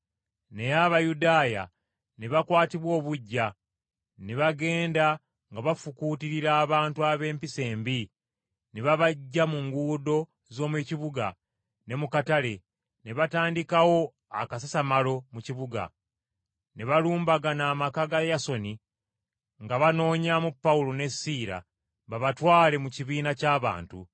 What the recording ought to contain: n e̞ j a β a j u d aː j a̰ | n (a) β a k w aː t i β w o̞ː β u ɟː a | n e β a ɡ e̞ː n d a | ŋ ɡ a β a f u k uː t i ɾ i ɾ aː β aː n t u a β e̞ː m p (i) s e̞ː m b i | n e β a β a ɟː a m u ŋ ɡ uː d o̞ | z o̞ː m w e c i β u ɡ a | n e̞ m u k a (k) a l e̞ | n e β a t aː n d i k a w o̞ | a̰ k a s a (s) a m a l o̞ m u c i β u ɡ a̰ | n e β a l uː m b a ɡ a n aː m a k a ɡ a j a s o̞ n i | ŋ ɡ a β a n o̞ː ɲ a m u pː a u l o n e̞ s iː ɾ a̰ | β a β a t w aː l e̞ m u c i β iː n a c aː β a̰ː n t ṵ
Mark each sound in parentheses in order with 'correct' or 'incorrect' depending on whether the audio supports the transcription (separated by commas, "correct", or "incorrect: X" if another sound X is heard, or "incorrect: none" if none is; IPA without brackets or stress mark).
incorrect: e, correct, incorrect: t, correct